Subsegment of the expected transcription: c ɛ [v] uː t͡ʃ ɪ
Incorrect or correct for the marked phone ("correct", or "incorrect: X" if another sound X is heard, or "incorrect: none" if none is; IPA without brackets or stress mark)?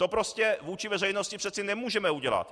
correct